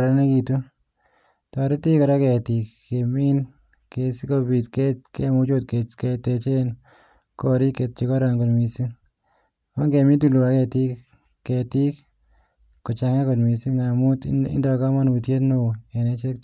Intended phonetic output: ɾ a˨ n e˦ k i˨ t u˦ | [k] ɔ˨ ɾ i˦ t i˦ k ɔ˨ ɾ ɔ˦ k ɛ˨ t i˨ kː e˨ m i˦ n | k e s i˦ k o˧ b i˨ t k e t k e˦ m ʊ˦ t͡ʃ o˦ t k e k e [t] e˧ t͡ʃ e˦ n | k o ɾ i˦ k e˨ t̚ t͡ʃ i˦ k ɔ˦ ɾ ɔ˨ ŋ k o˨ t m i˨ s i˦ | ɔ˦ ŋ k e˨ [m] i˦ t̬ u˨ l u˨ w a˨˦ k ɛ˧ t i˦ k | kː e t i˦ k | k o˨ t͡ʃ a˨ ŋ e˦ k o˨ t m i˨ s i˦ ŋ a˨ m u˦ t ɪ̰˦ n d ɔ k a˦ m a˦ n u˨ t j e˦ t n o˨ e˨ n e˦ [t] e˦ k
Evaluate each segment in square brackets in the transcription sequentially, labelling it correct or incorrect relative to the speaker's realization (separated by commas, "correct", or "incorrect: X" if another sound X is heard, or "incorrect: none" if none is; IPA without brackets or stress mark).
incorrect: t, correct, correct, incorrect: t͡ʃ